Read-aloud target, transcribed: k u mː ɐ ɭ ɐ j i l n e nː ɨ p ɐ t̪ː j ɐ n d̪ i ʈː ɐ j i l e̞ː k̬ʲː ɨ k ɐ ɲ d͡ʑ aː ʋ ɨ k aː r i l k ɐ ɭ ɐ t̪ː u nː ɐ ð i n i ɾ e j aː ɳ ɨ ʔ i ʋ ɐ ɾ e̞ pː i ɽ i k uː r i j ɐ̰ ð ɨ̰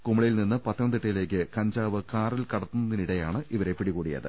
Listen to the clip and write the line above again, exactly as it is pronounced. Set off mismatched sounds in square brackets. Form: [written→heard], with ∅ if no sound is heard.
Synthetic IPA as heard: k u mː ɐ ɭ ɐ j i l n [e→i] nː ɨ p ɐ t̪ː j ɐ n d̪ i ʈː ɐ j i l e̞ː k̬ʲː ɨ k ɐ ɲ d͡ʑ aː ʋ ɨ k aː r i l k ɐ [ɭ→ɽ] ɐ t̪ː u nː ɐ ð i n i [ɾ→ɽ] e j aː ɳ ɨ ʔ i ʋ ɐ ɾ e̞ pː i ɽ i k uː [r→ɽ] i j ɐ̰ ð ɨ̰